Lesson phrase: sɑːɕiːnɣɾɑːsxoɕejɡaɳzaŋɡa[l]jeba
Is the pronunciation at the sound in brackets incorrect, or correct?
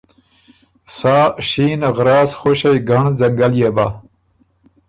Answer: correct